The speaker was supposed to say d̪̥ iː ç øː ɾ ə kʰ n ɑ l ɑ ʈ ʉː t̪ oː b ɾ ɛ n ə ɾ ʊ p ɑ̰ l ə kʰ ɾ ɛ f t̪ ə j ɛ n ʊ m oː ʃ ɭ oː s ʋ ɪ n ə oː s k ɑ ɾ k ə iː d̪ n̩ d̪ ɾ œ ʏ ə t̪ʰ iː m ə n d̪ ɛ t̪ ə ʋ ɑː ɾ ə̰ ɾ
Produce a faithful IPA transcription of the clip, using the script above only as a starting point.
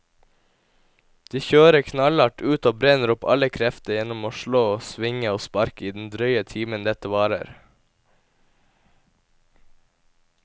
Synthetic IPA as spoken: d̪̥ iː ç øː ɾ ə kʰ n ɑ l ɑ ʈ ʉː t̪ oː b ɾ ɛ n ə ɾ ʊ p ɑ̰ l ə kʰ ɾ ɛ f t̪ ə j ɛ n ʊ m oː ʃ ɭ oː s ʋ ɪ ŋ ə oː s p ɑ ɾ k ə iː d̪ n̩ d̪ ɾ œ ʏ ə t̪ʰ iː m ə n d̪ ɛ t̪ ə ʋ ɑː ɾ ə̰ ɾ